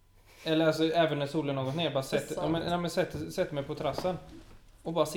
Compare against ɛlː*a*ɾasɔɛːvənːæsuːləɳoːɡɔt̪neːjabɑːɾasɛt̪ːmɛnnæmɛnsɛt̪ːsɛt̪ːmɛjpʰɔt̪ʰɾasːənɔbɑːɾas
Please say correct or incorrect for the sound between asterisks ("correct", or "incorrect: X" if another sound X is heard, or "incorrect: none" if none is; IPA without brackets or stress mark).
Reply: incorrect: ə